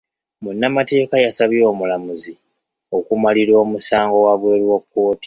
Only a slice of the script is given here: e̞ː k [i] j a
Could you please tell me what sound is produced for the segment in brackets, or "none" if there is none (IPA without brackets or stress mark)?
a